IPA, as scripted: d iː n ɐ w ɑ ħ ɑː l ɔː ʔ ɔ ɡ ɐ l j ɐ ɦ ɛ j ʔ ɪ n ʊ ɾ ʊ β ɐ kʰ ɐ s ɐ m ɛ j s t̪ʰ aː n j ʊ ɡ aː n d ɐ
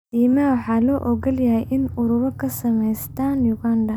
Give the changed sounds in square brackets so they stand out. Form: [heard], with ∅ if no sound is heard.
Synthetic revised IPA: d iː [m] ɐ w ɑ ħ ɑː l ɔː ʔ ɔ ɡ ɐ l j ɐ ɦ ɛ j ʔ ɪ n ʊ ɾ ʊ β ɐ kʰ ɐ s ɐ m ɛ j s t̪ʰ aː n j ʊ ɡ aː n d ɐ